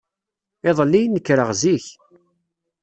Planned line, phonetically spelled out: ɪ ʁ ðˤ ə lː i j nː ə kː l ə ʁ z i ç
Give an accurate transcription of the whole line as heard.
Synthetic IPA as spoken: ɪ ðˤ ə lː i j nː ə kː ɾ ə ʁ z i ç